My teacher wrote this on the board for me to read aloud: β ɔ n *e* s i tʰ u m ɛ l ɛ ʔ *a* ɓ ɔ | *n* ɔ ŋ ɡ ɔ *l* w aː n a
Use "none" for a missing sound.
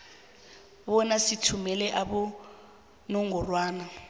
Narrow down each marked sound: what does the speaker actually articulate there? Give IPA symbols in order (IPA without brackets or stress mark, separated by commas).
a, a, n, r